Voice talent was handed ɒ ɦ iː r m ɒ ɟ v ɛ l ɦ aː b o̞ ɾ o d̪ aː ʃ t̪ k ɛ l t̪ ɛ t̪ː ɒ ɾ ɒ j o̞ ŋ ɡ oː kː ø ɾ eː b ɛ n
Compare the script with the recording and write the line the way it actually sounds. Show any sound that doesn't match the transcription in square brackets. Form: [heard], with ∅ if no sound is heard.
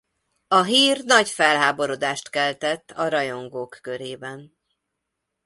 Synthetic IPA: ɒ ɦ iː r [n] ɒ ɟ [f] ɛ l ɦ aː b o̞ ɾ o d̪ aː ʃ t̪ k ɛ l t̪ ɛ t̪ː ɒ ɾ ɒ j o̞ ŋ ɡ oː kː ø ɾ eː b ɛ n